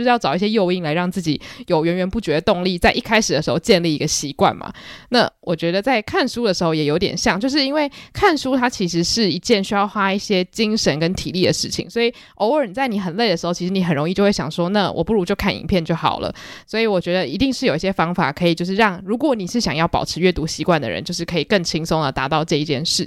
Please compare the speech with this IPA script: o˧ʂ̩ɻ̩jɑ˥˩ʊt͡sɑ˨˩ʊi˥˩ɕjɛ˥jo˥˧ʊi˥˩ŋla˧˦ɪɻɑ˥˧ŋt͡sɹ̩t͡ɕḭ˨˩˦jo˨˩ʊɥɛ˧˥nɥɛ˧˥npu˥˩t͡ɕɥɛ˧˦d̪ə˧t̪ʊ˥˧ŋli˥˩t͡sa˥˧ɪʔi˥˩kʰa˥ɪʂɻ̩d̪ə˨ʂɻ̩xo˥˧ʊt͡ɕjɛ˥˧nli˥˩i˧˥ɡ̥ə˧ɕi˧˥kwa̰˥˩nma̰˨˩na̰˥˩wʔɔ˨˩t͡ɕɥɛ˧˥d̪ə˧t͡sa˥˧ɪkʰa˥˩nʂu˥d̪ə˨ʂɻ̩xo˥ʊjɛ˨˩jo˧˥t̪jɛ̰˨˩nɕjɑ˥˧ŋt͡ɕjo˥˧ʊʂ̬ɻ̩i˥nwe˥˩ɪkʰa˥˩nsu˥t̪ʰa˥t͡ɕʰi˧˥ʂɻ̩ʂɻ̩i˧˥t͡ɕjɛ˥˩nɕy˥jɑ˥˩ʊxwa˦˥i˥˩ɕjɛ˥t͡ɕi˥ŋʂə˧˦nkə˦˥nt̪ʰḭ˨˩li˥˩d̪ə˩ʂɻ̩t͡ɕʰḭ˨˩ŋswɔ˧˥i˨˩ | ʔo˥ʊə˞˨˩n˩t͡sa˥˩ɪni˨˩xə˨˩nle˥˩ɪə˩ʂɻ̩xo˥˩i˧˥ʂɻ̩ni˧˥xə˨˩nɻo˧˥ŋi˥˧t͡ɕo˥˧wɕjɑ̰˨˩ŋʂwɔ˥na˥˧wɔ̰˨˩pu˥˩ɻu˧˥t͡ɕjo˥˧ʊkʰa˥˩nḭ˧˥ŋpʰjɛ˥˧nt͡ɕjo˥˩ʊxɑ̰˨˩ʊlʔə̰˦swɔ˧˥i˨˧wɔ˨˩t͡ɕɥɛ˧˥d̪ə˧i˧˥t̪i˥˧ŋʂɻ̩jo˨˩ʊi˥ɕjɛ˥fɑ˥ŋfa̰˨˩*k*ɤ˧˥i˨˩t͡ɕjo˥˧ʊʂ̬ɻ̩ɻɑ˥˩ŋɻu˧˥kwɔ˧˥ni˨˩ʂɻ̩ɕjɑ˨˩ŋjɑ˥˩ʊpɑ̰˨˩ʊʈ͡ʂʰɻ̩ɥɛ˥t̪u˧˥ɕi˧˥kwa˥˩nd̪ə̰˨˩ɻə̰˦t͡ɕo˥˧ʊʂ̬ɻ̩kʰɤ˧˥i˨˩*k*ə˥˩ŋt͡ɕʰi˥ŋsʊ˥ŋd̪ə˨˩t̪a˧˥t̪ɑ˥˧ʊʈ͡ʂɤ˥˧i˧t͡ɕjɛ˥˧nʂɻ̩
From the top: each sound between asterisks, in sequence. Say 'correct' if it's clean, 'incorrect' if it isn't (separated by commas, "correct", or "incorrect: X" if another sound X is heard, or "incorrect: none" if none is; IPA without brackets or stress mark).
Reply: incorrect: kʰ, correct